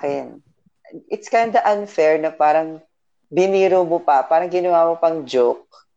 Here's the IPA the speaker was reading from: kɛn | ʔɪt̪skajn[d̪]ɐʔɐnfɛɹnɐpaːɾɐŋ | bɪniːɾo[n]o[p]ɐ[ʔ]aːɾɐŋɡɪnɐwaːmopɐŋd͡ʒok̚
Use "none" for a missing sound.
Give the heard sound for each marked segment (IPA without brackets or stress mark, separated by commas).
d̪, m, p, p